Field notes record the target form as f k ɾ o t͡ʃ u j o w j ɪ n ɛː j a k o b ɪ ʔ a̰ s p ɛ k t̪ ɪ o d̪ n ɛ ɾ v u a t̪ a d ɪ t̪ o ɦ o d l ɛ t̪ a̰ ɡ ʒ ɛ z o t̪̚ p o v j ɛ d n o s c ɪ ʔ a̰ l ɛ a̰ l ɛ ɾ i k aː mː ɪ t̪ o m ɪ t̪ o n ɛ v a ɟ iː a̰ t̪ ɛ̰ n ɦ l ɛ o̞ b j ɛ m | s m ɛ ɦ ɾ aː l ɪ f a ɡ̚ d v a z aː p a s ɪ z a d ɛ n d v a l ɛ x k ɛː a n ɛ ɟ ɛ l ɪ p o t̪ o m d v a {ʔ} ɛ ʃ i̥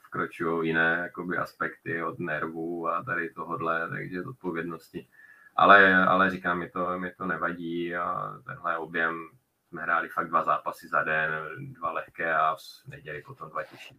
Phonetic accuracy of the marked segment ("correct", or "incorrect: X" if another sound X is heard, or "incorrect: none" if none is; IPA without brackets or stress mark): incorrect: c